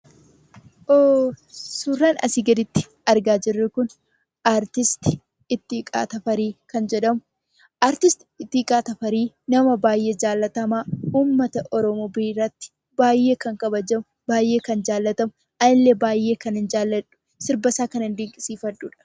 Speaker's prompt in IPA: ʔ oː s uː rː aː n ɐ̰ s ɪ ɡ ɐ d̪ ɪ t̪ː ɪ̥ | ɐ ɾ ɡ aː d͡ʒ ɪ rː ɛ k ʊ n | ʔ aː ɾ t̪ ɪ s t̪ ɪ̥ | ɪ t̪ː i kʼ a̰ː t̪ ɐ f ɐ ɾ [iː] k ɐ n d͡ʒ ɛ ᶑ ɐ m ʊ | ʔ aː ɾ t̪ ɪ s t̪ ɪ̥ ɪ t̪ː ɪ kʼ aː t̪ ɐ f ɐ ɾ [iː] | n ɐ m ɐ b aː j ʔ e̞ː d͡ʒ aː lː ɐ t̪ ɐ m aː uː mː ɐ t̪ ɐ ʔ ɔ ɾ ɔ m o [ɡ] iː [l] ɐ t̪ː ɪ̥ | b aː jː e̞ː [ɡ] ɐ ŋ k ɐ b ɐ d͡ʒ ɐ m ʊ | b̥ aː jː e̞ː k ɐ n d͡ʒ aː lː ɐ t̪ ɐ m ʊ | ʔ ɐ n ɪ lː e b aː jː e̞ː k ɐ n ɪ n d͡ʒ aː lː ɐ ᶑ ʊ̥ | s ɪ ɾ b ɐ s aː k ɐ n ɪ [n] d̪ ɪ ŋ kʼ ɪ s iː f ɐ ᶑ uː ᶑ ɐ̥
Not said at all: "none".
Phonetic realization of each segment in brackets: iː, iː, b, r, k, n

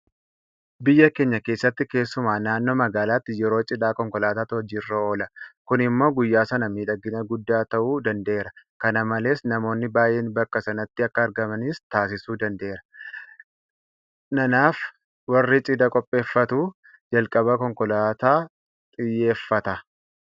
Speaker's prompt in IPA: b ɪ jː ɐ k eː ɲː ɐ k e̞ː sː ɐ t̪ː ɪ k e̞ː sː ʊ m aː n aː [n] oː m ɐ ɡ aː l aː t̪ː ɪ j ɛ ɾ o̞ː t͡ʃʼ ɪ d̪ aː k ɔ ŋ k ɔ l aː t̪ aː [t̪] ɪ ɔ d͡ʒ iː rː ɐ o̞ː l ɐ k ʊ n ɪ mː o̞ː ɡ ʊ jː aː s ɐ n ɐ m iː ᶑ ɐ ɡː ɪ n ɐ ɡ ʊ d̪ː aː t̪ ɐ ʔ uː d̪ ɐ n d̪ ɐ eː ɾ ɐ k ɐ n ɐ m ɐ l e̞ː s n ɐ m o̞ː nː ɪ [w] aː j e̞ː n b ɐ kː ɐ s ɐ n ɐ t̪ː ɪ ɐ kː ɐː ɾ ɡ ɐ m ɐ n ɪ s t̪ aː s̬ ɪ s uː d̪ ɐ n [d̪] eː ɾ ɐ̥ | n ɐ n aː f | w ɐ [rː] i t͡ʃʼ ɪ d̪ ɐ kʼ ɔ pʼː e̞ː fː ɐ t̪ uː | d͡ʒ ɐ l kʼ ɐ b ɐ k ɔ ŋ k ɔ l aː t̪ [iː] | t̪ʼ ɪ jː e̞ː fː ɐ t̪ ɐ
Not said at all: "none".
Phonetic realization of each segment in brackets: nː, t̪, b, d̪, rː, aː

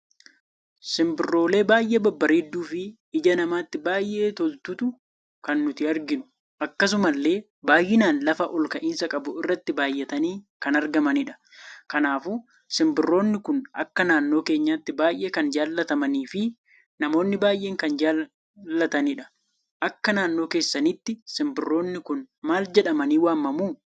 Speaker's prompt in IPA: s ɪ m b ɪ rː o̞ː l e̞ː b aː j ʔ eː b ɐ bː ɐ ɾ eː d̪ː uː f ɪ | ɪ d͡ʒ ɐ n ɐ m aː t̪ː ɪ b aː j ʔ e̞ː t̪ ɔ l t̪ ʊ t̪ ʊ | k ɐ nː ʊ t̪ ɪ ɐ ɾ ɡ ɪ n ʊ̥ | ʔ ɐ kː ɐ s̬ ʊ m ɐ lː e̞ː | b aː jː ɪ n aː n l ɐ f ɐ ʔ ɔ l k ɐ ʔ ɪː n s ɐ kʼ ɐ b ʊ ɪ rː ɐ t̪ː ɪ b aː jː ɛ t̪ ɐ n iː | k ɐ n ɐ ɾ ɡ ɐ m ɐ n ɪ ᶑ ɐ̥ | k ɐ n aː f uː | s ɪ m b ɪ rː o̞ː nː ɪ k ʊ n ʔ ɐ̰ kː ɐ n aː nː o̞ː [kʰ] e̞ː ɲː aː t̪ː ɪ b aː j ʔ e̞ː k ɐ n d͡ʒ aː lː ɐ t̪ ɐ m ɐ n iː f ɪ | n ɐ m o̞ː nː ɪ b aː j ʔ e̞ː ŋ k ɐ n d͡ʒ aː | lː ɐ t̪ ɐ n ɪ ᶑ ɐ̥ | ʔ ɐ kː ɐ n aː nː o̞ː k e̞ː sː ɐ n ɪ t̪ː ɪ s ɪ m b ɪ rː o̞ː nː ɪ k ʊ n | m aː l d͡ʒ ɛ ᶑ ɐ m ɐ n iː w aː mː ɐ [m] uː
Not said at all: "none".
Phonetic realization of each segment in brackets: k, m

